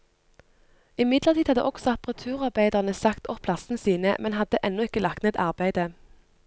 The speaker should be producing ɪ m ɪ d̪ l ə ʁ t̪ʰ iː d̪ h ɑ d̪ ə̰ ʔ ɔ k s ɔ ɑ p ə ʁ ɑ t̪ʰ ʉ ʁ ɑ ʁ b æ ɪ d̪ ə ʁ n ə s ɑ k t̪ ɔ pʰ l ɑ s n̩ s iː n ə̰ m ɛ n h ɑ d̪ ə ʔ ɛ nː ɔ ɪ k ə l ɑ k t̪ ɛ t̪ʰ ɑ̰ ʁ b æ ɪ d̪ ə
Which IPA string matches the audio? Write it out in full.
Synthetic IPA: ɪ m ɪ d̪ l ə ʁ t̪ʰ iː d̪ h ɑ d̪ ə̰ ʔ ɔ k s ɔ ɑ p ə ʁ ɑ t̪ʰ ʉː ʁ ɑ ʁ b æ ɪ d̪ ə ʁ n ə s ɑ k t̪ ɔ pʰ l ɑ s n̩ s iː n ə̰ m ɛ n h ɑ d̪ ə ʔ ɛ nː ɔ ɪ k ə l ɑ k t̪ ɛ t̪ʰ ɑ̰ ʁ b æ ɪ d̪ ə